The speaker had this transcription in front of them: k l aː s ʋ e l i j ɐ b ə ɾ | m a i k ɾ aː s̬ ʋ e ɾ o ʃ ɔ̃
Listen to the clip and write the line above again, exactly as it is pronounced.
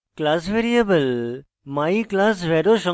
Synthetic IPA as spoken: k l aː s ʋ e ɾ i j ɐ b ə l | m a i k l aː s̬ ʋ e ɾ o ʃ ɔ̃